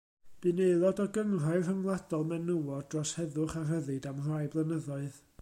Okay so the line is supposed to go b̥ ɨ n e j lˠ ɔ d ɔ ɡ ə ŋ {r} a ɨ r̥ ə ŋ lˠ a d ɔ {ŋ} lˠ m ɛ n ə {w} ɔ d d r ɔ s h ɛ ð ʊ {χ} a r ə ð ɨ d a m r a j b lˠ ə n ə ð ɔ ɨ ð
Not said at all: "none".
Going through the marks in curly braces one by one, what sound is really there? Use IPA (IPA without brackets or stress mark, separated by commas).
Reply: r, none, w, χ